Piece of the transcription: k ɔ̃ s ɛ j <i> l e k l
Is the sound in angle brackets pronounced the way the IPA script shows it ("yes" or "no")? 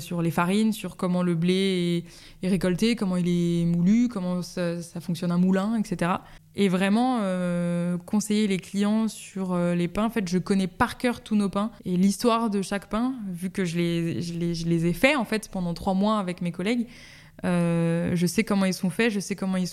no